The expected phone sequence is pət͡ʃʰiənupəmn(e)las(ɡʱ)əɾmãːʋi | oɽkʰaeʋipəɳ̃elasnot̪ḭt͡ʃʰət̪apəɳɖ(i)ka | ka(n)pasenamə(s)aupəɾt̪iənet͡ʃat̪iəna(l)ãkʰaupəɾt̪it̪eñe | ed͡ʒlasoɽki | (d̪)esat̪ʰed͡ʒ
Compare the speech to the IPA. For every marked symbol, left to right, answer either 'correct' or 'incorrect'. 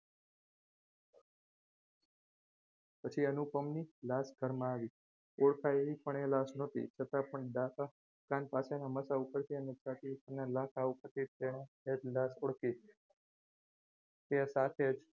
incorrect: i, correct, incorrect: a, correct, correct, correct, incorrect: t̪

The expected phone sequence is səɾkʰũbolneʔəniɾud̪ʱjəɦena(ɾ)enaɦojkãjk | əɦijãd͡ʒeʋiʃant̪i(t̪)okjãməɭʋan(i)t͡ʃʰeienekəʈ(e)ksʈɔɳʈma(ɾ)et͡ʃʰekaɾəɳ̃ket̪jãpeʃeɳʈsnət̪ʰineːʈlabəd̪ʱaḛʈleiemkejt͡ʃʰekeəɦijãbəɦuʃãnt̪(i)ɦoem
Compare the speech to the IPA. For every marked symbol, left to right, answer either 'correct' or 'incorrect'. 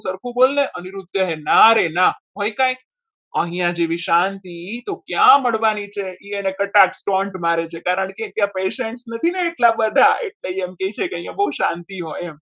correct, correct, correct, incorrect: a, correct, correct

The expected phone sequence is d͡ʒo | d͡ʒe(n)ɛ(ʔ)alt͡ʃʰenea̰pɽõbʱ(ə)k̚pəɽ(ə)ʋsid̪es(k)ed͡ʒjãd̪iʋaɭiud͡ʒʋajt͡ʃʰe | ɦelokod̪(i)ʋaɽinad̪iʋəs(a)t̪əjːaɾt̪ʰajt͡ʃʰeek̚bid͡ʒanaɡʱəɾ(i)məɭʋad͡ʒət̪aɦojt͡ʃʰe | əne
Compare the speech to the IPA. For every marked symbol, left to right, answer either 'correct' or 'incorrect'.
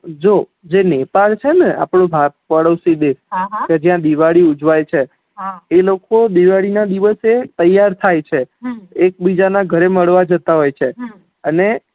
correct, incorrect: p, incorrect: a, correct, correct, correct, incorrect: e, incorrect: e

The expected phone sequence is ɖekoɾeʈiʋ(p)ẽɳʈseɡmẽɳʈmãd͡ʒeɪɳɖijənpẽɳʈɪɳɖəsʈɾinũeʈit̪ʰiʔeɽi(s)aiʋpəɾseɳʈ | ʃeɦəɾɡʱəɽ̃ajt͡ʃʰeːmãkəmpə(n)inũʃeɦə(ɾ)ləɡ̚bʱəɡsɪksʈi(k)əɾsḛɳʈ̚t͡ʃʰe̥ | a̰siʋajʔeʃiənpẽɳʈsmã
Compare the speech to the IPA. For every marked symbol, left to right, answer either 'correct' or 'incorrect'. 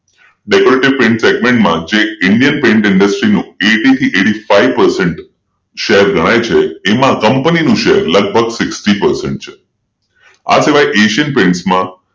correct, incorrect: f, correct, correct, incorrect: p

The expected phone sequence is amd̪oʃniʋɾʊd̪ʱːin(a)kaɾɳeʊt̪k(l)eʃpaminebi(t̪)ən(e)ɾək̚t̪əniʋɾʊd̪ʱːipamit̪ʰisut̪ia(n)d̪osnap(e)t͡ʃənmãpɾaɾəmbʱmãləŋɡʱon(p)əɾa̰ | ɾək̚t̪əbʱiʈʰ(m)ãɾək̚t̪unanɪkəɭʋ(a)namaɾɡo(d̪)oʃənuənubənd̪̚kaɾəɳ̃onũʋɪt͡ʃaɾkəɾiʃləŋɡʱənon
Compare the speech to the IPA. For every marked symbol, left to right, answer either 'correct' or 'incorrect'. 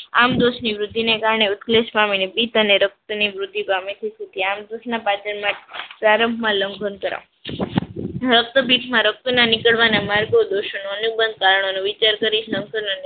incorrect: e, correct, correct, correct, incorrect: m, incorrect: a, incorrect: k, correct, correct, correct

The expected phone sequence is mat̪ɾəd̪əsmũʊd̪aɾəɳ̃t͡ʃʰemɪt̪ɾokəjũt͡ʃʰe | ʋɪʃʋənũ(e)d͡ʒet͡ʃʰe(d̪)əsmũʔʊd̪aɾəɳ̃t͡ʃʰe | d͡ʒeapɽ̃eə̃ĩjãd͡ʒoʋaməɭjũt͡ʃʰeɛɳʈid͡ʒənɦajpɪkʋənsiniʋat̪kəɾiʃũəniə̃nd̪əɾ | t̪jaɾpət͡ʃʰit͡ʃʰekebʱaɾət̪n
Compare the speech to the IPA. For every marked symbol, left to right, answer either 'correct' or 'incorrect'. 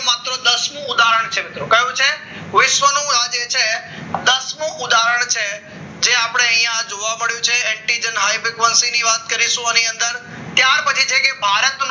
incorrect: a, correct

